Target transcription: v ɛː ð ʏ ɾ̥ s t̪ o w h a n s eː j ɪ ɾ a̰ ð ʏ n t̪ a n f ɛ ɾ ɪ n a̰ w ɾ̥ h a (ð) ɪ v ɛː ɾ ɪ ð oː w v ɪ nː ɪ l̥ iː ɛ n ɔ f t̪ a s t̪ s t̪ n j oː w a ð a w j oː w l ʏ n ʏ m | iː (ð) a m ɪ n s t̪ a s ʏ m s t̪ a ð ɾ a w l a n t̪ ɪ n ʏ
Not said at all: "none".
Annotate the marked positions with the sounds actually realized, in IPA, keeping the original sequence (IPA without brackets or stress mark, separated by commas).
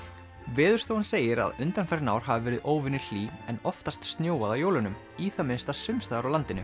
v, θ